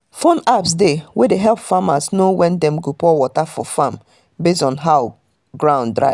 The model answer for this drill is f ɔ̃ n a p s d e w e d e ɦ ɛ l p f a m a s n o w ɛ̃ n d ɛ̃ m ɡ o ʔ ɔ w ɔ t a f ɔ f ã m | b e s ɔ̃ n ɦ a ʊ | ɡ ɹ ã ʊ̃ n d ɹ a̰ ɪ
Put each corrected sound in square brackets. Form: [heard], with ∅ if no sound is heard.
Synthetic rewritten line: f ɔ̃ n a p s d e w e d e ɦ ɛ l p f a m a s n o w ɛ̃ n d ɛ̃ m ɡ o [p] ɔ w ɔ t a f ɔ f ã m | b e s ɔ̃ n ɦ a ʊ | ɡ ɹ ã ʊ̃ n d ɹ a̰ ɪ

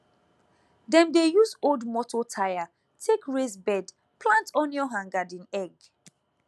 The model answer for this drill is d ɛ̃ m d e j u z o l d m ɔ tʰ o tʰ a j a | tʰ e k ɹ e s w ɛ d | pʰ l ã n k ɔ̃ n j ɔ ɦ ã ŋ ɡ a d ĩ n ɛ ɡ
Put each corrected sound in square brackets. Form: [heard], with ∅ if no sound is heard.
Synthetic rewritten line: d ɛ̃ m d e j u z o l d m ɔ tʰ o tʰ a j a | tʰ e k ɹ e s [b] ɛ d | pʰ l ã n [t] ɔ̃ n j ɔ ɦ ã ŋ ɡ a d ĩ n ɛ ɡ

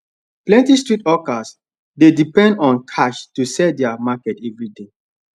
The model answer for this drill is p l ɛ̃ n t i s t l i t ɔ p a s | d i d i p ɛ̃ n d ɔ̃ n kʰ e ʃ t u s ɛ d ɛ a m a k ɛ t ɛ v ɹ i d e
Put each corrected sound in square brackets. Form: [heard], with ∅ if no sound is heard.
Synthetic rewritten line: p l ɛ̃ n t i s t [ɹ] i t ɔ [k] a s | d [e] d i p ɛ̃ n d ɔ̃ n kʰ [a] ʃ t u s ɛ d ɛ a m a k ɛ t ɛ v ɹ i d e

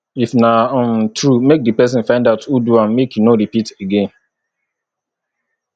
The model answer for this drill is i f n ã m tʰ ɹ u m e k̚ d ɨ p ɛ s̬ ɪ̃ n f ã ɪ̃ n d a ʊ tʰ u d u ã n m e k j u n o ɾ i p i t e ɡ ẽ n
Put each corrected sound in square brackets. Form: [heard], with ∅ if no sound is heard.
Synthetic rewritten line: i f n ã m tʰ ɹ u m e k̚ d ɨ p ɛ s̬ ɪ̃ n f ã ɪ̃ n d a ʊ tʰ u d u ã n m e k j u n o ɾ i p i t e ɡ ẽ n

